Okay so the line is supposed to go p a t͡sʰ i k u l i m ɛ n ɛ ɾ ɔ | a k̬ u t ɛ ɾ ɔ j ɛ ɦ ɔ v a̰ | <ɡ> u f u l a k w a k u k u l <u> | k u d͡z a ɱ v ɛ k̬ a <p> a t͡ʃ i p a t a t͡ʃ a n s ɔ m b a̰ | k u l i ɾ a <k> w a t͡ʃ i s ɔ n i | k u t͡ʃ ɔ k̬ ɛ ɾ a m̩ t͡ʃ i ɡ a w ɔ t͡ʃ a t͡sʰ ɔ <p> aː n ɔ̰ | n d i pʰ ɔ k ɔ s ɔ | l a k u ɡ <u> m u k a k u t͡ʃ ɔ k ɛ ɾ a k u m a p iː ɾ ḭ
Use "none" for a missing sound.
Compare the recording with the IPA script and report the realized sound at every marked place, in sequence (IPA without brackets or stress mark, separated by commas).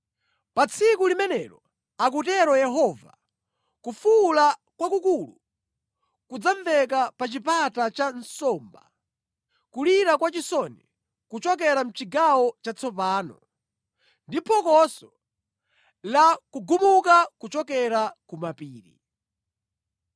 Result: k, u, p, k, p, u